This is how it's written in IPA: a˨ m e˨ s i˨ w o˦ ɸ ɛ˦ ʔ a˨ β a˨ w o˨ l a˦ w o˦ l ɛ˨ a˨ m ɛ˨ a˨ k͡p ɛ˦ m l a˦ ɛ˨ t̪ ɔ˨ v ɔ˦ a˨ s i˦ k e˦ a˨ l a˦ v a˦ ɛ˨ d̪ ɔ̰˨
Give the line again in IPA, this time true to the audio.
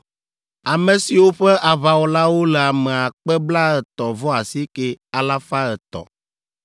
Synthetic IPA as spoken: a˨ m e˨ s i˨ w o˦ ɸ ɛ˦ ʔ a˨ β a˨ w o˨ l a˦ w o˦ l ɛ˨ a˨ m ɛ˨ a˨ k͡p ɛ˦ b l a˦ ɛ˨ t̪ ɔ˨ v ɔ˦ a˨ s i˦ k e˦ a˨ l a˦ f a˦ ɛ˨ t̪ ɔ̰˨

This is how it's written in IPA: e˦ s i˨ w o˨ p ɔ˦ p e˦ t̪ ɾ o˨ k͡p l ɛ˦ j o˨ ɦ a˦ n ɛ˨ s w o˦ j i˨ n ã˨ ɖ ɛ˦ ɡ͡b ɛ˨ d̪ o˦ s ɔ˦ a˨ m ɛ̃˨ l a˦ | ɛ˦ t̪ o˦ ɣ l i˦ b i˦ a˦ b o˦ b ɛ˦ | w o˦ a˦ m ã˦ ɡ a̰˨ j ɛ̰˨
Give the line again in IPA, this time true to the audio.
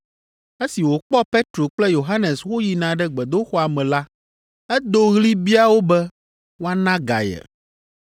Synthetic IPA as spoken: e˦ s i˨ w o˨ k͡p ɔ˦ p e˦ t̪ ɾ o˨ k͡p l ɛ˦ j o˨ ɦ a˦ n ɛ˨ s w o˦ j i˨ n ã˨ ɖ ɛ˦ ɡ͡b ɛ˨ d̪ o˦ x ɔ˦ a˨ m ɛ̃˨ l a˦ | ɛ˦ d̪ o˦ ɣ l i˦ b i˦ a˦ w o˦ b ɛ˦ | w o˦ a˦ n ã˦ ɡ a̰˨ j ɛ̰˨

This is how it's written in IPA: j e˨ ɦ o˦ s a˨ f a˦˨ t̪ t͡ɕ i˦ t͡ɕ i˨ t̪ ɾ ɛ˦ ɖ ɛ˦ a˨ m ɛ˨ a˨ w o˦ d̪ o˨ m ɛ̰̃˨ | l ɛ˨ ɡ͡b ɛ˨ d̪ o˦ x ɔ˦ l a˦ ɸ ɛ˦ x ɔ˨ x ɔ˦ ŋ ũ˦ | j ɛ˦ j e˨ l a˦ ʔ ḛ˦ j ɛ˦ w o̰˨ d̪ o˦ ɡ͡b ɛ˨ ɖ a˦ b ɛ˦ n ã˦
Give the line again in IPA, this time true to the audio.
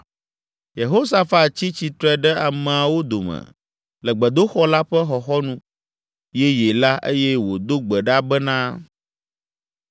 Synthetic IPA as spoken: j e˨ ɦ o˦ s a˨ f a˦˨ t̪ t͡ɕ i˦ t͡ɕ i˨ t̪ ɾ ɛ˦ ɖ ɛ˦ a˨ m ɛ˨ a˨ w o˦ d̪ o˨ m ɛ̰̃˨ | l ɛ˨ ɡ͡b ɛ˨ d̪ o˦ x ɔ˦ l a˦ ɸ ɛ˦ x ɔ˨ x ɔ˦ n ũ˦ | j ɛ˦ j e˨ l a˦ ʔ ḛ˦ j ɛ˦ w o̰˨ d̪ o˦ ɡ͡b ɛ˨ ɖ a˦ b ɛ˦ n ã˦

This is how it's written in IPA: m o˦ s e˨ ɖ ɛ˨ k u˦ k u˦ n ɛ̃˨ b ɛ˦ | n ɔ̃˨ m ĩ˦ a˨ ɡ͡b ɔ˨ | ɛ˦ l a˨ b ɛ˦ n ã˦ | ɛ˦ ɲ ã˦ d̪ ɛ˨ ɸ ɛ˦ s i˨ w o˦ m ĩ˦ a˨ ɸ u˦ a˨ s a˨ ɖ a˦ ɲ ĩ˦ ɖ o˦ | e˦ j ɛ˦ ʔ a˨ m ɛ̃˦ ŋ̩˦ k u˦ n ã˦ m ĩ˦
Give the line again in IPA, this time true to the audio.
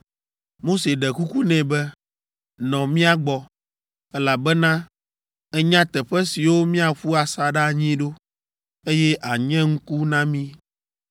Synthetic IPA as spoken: m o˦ s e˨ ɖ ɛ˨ k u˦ k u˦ n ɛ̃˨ b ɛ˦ | n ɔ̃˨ m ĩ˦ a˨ ɡ͡b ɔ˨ | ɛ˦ l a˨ b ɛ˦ n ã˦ | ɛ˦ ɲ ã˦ t̪ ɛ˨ ɸ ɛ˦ s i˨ w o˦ m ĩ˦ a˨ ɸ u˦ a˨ s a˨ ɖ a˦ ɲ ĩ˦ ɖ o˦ | e˦ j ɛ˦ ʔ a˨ ɲ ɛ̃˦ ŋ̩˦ k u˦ n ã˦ m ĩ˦

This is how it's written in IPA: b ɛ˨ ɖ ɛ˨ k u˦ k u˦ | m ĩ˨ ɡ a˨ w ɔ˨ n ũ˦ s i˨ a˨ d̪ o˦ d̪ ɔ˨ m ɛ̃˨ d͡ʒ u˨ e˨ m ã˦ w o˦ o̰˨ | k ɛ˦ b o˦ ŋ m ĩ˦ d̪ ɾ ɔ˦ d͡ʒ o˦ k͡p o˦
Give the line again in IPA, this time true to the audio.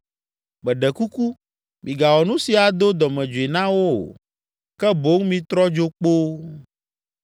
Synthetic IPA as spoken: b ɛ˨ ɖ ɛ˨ k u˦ k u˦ | m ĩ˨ ɡ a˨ w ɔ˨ n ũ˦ s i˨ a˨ d̪ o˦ d̪ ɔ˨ m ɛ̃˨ d͡ʒ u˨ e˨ n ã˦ w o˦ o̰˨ | k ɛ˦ b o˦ ŋ m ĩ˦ t̪ ɾ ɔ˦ d͡ʒ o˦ k͡p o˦

